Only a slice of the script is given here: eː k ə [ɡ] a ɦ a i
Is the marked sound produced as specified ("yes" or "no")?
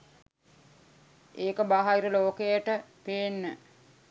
no